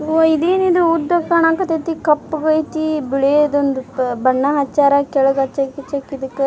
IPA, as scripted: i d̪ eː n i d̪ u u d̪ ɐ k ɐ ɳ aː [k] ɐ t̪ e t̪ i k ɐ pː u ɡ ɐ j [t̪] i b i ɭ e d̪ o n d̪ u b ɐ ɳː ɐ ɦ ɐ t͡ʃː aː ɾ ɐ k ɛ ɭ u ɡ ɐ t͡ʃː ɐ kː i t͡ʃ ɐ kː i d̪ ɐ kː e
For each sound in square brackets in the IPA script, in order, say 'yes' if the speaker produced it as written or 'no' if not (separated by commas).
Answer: yes, yes